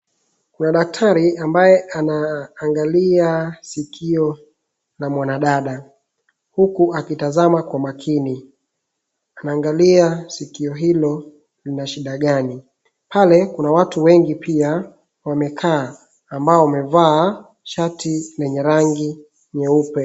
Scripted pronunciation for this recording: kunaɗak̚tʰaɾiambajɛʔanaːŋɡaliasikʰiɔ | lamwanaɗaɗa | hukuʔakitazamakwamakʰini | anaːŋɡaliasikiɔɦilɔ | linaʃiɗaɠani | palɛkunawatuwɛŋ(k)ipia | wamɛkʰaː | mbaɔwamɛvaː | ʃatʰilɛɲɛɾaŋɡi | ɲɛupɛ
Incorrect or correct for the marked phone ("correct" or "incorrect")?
incorrect